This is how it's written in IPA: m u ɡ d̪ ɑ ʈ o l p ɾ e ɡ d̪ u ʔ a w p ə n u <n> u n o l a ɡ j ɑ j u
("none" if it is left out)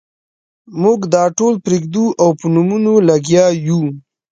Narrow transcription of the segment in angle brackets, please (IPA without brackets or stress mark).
m